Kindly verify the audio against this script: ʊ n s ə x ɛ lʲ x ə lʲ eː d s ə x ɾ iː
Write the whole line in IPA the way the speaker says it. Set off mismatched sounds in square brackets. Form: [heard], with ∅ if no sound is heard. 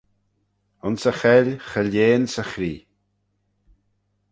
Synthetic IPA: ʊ n s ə x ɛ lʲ x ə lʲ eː [n] s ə x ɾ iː